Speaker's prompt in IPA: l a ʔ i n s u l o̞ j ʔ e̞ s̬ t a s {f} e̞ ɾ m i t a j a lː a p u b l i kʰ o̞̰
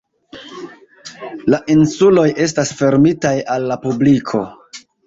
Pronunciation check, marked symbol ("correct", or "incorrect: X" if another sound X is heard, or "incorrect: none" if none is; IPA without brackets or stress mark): correct